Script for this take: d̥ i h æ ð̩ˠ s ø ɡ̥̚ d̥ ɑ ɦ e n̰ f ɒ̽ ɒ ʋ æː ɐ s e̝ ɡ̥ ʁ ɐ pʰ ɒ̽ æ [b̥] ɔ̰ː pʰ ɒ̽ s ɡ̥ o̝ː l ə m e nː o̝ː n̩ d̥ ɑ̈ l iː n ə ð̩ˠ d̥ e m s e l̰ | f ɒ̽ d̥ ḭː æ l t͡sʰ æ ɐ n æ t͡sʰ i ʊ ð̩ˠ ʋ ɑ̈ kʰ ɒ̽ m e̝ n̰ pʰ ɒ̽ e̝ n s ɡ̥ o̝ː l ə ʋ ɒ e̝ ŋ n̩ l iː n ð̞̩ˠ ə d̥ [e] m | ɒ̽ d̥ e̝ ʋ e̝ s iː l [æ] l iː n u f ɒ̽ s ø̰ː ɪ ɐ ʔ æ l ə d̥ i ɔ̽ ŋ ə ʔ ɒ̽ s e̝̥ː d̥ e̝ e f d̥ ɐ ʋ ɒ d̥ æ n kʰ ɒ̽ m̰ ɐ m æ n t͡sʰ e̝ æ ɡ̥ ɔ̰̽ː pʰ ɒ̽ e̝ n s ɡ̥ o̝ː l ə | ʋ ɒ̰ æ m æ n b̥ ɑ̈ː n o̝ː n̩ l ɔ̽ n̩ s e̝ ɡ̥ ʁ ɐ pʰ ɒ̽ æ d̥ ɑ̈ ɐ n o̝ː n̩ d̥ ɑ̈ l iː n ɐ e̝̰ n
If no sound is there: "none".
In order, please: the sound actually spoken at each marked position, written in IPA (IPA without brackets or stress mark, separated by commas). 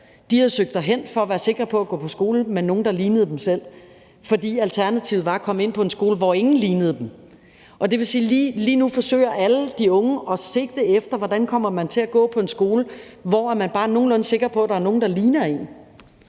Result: ɡ̥, e, i